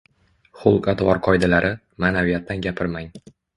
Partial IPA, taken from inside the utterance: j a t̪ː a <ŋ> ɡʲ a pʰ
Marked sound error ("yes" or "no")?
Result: yes